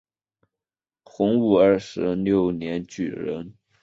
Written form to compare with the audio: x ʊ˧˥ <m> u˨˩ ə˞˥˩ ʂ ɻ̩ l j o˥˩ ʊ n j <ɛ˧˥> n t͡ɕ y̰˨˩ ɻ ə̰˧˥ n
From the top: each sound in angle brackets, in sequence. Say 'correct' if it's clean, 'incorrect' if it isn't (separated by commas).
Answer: incorrect, correct